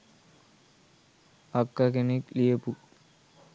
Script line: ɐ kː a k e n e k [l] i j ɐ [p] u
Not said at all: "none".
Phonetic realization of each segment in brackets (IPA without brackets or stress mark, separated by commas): l, p